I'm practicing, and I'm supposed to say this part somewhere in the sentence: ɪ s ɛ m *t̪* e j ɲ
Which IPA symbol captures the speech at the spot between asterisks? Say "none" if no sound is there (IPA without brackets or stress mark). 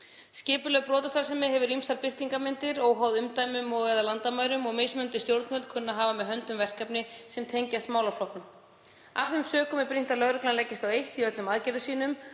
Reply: t̪ʰ